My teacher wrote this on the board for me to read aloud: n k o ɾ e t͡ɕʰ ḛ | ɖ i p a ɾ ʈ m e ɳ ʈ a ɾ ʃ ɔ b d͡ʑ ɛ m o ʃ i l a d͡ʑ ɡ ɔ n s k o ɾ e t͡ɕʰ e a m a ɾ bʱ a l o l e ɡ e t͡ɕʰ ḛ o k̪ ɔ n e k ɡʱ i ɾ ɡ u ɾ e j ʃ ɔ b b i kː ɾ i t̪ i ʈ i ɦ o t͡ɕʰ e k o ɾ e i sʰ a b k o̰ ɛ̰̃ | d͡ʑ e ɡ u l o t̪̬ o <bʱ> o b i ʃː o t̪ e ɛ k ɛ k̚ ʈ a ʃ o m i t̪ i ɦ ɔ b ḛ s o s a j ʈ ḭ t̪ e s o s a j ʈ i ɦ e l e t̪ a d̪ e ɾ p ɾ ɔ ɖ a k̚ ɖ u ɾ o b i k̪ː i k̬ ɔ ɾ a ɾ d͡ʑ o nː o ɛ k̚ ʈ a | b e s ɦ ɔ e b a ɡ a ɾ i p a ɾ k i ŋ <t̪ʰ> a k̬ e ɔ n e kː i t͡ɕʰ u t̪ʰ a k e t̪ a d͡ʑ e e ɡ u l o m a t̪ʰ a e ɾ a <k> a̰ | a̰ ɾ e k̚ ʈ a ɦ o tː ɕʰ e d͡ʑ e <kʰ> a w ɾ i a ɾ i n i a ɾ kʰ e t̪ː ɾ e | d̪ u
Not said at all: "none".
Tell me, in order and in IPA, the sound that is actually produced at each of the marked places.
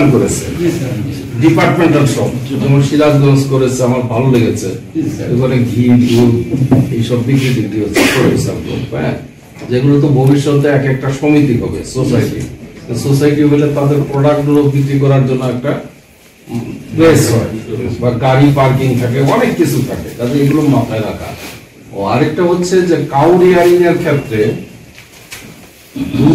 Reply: bʱ, t̪ʰ, kʰ, k

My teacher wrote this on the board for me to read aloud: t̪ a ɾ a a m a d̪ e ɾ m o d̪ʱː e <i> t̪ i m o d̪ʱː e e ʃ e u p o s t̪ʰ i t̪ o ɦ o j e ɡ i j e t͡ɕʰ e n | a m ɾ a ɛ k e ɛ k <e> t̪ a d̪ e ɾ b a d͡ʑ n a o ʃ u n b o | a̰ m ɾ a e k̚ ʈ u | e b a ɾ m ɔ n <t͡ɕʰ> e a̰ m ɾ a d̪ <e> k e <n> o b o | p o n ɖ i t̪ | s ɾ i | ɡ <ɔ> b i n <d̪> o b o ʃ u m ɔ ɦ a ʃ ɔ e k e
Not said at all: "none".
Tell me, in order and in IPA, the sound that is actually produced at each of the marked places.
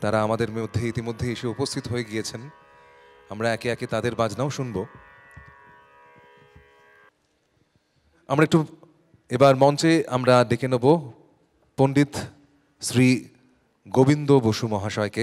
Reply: i, e, t͡ɕ, e, n, o, d̪

